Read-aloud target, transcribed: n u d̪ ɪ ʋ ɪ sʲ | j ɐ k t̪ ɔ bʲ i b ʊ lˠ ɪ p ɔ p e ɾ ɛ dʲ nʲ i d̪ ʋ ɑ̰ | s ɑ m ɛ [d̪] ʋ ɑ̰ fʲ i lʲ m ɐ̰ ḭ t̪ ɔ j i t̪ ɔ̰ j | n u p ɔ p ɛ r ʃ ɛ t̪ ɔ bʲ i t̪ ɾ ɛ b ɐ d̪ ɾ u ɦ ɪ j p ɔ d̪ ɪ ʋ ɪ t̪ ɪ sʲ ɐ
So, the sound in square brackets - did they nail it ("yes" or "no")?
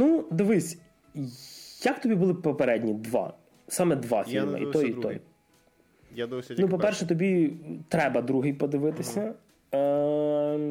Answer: yes